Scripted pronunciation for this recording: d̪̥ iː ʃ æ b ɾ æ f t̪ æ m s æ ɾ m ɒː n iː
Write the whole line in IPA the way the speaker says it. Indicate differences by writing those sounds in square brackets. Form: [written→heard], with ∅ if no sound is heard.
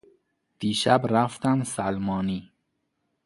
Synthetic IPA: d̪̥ iː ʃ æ b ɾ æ f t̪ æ m s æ [ɾ→l] m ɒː n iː